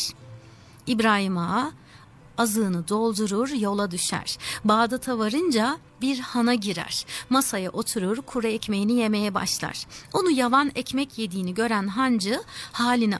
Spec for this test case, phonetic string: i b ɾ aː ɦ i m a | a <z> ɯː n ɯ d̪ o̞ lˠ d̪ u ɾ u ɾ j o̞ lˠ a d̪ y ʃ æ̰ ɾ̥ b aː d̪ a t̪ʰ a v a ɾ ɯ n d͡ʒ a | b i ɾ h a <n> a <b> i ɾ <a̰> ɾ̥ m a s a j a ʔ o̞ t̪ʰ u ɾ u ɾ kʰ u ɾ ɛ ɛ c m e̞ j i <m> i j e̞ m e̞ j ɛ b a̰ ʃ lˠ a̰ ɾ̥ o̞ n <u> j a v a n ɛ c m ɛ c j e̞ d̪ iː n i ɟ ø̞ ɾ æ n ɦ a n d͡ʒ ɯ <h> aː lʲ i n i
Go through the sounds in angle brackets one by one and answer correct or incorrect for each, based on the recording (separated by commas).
correct, correct, incorrect, incorrect, incorrect, correct, correct